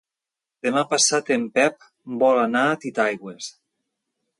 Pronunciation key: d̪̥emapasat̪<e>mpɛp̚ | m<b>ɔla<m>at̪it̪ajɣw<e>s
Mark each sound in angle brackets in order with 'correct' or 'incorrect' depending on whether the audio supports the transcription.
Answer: correct, correct, incorrect, correct

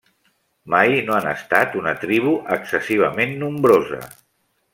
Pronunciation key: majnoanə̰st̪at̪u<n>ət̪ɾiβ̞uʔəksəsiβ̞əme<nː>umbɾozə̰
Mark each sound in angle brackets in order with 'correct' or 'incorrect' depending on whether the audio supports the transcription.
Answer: correct, correct

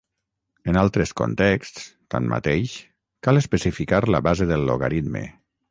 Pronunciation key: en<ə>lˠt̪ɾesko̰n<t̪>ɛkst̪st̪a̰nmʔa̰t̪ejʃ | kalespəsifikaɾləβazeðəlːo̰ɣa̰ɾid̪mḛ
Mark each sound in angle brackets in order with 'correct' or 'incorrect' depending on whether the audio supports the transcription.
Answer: incorrect, correct

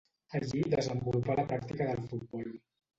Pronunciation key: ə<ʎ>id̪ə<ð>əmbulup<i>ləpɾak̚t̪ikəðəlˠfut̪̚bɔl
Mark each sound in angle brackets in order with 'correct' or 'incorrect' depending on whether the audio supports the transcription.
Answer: correct, incorrect, incorrect

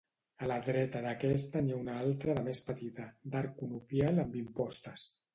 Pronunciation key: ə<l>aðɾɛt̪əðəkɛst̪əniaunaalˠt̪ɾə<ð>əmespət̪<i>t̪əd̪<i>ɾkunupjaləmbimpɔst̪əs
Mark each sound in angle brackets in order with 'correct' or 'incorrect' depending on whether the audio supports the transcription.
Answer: correct, correct, correct, incorrect

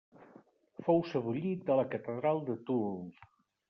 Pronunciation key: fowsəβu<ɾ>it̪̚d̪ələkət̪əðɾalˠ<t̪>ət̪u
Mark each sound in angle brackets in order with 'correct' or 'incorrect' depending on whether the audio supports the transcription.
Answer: incorrect, incorrect

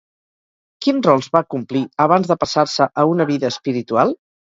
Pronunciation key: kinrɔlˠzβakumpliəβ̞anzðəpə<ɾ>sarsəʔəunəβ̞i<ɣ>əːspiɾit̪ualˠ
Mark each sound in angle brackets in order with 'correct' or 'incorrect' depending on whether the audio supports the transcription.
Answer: incorrect, incorrect

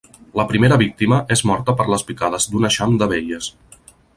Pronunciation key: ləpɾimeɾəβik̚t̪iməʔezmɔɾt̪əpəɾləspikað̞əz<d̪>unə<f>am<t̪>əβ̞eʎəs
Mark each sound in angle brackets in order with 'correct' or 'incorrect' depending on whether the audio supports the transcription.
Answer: correct, incorrect, incorrect

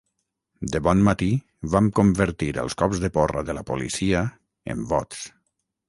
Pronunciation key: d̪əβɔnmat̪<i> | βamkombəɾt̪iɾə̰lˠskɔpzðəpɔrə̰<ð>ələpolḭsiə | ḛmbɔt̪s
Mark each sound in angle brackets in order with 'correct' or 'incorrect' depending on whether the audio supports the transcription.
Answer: correct, correct

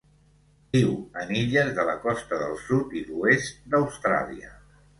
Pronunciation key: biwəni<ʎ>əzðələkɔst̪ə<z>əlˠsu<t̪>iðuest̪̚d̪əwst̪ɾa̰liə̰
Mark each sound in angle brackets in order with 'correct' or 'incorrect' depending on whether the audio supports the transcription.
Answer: correct, incorrect, correct

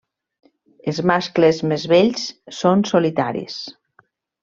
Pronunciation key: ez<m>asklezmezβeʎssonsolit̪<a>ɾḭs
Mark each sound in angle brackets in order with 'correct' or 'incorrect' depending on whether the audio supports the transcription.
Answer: correct, correct

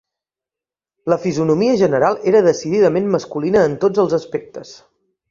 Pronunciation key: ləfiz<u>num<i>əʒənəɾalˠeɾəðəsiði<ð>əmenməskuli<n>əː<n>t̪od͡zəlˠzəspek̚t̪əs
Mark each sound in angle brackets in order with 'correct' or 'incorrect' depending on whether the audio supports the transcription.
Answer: correct, correct, correct, correct, correct

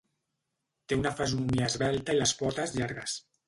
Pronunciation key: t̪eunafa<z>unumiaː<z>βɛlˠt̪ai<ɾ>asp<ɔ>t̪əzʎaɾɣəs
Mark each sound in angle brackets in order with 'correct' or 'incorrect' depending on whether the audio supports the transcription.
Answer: correct, correct, incorrect, correct

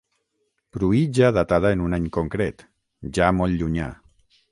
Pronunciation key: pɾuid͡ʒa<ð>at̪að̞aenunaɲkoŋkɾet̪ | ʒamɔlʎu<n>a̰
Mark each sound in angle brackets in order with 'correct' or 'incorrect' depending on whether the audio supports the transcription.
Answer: correct, incorrect

